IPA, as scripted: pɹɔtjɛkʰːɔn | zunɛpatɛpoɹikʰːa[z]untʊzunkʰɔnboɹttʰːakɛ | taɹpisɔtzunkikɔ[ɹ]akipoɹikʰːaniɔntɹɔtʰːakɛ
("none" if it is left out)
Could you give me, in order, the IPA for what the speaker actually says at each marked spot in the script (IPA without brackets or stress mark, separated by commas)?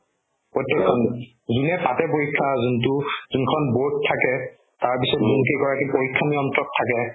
z, ɹ